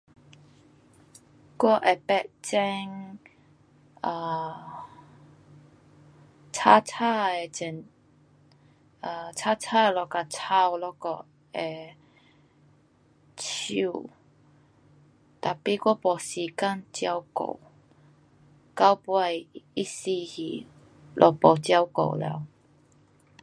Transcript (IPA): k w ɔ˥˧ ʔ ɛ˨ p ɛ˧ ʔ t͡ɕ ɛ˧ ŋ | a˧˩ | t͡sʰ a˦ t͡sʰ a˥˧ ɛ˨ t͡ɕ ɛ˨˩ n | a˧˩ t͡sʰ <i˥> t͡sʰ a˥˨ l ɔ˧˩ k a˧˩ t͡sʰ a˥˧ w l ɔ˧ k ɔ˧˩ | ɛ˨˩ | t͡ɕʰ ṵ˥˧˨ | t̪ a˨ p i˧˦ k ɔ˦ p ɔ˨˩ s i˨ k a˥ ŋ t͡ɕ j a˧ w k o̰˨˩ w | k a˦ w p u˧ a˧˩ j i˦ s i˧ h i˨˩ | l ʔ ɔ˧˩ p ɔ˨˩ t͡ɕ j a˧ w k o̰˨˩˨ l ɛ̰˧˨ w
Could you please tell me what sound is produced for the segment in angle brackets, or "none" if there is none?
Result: a˥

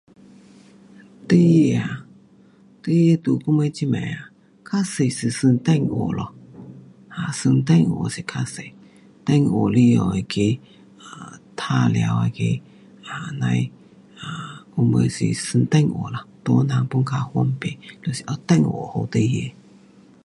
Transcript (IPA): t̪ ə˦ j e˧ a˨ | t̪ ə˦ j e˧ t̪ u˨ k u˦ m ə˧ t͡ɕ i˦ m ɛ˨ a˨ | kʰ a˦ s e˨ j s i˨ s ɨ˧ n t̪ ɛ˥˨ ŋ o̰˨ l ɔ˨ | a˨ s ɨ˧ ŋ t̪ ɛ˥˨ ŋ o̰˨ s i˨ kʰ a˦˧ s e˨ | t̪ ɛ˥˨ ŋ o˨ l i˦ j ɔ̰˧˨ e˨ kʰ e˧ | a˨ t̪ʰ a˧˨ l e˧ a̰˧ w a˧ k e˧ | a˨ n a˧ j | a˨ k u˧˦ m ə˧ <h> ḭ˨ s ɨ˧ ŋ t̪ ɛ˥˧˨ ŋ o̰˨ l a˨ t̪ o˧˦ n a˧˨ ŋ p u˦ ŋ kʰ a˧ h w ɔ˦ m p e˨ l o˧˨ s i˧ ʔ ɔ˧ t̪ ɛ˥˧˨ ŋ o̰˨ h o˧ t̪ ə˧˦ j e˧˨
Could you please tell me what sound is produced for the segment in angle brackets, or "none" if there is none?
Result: s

